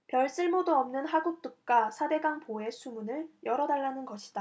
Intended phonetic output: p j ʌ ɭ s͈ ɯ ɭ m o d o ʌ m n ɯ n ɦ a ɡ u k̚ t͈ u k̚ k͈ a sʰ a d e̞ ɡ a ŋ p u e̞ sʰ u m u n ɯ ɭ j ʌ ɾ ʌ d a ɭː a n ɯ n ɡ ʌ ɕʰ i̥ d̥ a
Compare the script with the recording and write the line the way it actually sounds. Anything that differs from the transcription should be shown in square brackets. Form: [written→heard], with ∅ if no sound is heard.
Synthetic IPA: p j ʌ ɭ s͈ ɯ ɭ m o d o ʌ m n ɯ n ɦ a ɡ u k̚ t͈ u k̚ k͈ a sʰ a d e̞ ɡ a ŋ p [u→o] e̞ sʰ u m u n ɯ ɭ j ʌ ɾ ʌ d a ɭː a n ɯ n ɡ ʌ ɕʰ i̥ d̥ a